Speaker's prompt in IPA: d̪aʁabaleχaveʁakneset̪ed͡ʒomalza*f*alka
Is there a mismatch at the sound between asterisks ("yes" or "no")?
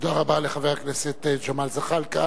yes